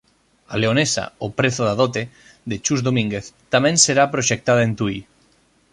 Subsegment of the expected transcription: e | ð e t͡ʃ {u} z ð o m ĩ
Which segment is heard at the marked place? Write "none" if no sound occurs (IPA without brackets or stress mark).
u